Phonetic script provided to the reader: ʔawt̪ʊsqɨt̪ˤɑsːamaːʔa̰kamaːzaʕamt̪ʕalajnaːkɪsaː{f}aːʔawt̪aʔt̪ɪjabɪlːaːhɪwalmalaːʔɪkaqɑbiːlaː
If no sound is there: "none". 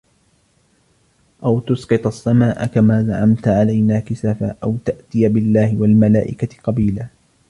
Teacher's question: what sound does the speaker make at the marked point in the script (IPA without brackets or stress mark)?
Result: f